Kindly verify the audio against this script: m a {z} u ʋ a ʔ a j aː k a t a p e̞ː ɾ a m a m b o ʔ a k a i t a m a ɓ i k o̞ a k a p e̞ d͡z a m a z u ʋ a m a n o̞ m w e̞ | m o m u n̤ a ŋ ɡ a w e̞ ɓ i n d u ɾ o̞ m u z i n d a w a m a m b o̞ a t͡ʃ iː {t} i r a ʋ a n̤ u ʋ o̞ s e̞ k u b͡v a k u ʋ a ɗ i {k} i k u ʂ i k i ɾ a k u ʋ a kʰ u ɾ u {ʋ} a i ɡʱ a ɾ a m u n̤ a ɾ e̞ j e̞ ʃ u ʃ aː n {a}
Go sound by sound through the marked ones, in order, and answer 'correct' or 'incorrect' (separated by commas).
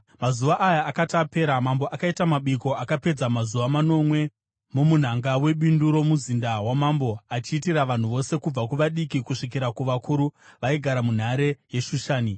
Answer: correct, correct, correct, correct, incorrect